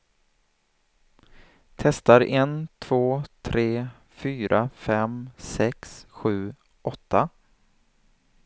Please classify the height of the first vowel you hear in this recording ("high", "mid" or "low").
mid